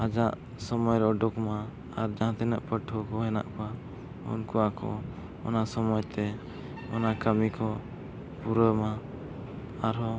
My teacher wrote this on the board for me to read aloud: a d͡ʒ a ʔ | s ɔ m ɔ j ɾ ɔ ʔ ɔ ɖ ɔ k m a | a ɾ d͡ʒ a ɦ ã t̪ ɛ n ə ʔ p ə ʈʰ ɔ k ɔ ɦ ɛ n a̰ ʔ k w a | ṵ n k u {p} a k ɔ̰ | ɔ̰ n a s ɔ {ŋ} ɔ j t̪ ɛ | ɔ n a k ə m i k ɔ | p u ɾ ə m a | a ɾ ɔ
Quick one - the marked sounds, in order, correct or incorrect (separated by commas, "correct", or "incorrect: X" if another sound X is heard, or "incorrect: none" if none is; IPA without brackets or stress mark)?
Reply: incorrect: none, incorrect: m